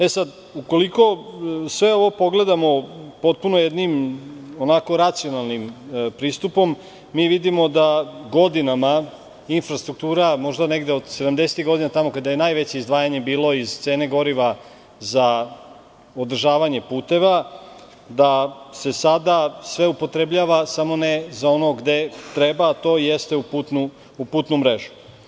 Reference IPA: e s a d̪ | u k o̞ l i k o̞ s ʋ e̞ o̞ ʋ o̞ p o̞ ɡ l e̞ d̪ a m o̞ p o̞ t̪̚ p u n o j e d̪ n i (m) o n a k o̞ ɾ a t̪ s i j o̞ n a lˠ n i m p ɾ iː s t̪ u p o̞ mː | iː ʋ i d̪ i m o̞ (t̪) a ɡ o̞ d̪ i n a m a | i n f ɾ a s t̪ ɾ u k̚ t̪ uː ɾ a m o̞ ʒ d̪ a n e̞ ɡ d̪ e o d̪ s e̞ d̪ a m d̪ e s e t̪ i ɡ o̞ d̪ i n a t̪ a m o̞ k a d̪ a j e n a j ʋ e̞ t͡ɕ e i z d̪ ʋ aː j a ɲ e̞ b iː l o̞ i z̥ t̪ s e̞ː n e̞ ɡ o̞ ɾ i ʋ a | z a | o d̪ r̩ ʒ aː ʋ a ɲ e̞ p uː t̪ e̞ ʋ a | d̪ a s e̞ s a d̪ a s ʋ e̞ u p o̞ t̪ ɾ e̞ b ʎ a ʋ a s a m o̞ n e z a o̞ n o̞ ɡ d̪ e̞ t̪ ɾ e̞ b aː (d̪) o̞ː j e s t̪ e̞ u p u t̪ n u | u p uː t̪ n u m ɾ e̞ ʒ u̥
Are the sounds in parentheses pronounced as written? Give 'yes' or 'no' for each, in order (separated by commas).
yes, no, no